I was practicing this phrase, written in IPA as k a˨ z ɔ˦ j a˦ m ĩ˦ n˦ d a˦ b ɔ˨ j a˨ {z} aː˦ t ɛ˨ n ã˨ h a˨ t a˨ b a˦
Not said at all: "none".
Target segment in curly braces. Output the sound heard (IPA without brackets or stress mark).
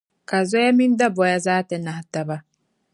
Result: z